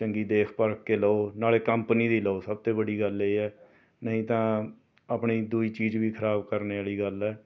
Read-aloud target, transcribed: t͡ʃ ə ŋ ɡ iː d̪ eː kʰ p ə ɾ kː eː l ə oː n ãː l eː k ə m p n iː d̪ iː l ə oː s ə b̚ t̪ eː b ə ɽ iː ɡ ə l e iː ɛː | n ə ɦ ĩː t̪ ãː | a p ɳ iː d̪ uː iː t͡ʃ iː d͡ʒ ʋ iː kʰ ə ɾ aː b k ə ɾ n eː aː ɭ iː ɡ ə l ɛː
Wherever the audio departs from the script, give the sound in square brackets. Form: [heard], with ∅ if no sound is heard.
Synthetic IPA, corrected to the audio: t͡ʃ ə ŋ ɡ iː d̪ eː kʰ p ə ɾ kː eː l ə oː n [aː] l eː k ə m p n iː d̪ iː l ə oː s ə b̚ t̪ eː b ə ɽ iː ɡ ə l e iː ɛː | n ə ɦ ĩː t̪ ãː | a p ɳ iː d̪ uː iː t͡ʃ iː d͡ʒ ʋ iː kʰ ə ɾ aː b k ə ɾ n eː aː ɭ iː ɡ ə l ɛː